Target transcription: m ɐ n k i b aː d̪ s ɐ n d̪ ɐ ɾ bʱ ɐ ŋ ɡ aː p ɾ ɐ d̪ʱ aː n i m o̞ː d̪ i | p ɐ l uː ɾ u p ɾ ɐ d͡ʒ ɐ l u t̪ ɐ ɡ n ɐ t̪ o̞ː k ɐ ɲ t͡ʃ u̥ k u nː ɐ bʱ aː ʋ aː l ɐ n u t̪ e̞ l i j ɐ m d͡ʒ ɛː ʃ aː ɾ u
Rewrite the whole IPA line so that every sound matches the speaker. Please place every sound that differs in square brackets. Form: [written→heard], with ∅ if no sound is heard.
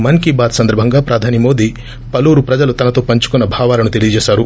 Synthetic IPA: m ɐ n k i b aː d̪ s ɐ n d̪ ɐ ɾ bʱ ɐ ŋ ɡ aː p ɾ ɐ d̪ʱ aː n i m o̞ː d̪ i | p ɐ l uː ɾ u p ɾ ɐ d͡ʒ ɐ l u t̪ ɐ [ɡ→∅] n ɐ t̪ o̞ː [k→p] ɐ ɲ t͡ʃ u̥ k u nː ɐ bʱ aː ʋ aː l ɐ n u t̪ e̞ l i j ɐ [m→∅] d͡ʒ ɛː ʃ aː ɾ u